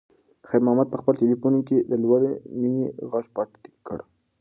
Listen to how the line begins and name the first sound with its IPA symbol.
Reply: x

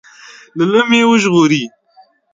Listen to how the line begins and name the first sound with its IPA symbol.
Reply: l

